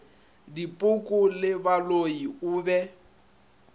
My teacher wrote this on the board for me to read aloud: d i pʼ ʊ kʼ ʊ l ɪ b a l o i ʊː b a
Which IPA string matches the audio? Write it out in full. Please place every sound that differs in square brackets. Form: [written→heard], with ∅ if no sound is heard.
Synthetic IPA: d i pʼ ʊ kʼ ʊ l ɪ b a l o i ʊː b [a→ɛ]